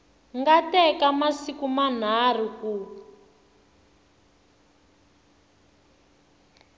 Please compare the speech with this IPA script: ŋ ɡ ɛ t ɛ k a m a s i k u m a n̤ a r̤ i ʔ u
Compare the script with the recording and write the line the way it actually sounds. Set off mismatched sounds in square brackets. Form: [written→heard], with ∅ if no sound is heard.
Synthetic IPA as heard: ŋ ɡ [ɛ→a] t ɛ k a m a s i k u m a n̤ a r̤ i [ʔ→k] u